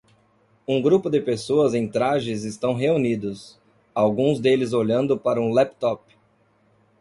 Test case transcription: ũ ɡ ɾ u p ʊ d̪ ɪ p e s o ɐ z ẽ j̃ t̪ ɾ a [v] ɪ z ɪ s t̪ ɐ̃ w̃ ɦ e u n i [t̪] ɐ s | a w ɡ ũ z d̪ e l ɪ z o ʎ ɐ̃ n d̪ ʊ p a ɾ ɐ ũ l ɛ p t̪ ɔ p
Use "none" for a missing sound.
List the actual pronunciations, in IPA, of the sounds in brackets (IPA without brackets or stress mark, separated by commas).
ʒ, d̪